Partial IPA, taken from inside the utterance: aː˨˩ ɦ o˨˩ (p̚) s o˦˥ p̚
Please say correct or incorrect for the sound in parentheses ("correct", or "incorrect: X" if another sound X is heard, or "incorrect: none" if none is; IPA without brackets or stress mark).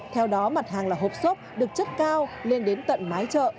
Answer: correct